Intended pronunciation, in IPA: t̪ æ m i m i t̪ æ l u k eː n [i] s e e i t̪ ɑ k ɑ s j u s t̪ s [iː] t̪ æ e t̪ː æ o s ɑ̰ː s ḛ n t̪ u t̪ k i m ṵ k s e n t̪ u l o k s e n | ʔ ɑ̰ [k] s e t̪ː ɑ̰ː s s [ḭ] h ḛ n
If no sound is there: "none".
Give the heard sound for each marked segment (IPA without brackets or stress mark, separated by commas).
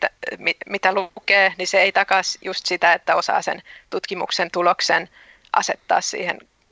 i, i, none, ḭː